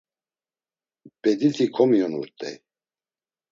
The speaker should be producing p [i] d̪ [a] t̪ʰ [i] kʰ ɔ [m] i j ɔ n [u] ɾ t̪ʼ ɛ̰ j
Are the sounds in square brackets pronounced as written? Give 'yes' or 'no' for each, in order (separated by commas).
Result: no, no, yes, yes, yes